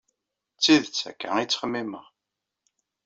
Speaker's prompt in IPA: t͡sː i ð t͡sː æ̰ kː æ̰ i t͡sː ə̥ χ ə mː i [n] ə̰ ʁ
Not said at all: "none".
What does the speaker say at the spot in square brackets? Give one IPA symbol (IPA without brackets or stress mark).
m